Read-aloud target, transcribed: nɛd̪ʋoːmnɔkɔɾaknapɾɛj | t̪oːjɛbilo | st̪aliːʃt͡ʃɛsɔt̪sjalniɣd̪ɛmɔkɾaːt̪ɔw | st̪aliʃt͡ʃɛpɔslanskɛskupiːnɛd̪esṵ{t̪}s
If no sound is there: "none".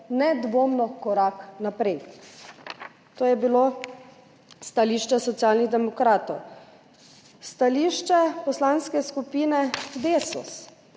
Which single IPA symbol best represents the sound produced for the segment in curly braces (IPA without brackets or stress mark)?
none